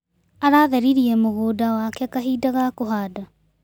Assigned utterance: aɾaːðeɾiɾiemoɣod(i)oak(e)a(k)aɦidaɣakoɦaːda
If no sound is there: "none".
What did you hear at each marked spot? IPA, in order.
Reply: a, e, k

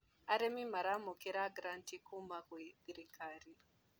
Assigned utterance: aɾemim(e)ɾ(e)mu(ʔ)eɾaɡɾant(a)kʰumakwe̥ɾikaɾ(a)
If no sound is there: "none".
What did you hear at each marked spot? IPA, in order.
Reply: a, a, k, i, i

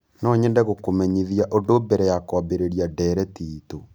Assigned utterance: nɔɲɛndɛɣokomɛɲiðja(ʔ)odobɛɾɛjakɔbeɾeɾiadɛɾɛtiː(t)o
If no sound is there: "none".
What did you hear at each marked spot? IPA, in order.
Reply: ʔ, t

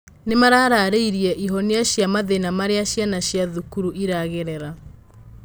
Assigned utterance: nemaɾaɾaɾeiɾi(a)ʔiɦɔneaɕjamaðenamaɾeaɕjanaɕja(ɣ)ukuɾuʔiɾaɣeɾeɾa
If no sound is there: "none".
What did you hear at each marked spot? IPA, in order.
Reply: ɛ, ð

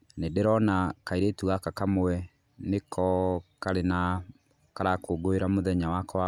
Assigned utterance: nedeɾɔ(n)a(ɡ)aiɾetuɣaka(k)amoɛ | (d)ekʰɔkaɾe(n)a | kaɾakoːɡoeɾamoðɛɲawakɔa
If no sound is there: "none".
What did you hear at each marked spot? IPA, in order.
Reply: n, k, k, n, n

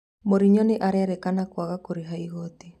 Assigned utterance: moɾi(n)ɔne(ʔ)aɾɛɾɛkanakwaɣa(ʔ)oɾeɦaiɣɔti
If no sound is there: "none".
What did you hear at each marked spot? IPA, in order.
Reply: ɲ, ʔ, k

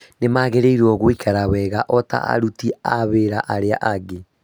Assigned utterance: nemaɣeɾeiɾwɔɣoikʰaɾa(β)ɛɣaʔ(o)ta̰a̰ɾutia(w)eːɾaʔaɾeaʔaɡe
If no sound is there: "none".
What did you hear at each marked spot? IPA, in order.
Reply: w, ɔ, β

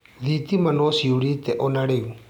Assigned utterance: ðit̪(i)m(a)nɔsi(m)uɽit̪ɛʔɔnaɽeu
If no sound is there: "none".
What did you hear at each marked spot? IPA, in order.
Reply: i, a, none

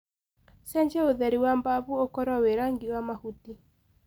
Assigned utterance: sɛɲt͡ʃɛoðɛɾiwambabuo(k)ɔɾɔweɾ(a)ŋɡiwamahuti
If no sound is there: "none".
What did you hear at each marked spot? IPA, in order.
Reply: k, a

